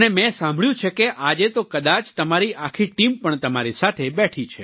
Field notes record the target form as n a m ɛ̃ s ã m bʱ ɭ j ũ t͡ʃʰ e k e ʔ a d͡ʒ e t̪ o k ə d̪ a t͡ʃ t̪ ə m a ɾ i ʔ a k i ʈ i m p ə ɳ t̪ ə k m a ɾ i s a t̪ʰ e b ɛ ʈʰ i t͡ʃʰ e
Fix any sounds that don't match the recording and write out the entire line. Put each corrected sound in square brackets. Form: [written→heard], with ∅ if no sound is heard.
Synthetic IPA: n [a→e] m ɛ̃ s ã m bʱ ɭ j ũ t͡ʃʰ e k e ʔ a d͡ʒ e t̪ o k ə d̪ a t͡ʃ t̪ ə m a ɾ i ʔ a [k→kʰ] i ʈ i m p ə ɳ t̪ ə [k→∅] m a ɾ i s a t̪ʰ e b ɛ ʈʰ i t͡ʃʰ e